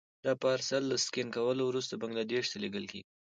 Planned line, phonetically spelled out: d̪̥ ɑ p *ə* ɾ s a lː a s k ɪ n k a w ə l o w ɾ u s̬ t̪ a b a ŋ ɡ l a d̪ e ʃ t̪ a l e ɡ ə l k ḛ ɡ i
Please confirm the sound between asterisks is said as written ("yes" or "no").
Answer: no